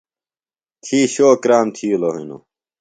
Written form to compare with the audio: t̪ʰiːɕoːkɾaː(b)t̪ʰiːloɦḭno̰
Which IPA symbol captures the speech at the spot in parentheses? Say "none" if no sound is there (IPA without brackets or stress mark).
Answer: m